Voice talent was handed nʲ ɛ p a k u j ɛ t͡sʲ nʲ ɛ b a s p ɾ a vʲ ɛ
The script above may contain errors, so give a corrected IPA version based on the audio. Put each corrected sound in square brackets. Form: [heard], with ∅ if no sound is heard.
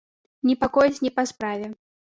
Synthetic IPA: nʲ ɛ p a k [ɔ] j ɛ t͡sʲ nʲ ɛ [p] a s p ɾ a vʲ ɛ